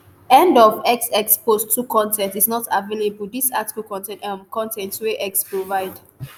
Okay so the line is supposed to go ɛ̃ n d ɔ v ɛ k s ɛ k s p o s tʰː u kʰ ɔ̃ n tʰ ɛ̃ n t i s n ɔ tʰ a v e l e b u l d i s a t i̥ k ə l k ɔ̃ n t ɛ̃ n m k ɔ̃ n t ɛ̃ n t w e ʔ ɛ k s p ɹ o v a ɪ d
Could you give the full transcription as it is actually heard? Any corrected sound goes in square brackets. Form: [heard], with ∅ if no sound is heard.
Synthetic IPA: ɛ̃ n d ɔ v ɛ k s ɛ k s p o s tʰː u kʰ ɔ̃ n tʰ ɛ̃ n t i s n ɔ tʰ a v e l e b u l d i s a t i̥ k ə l k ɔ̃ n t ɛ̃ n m k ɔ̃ n t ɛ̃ n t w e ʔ ɛ k s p ɹ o v a ɪ d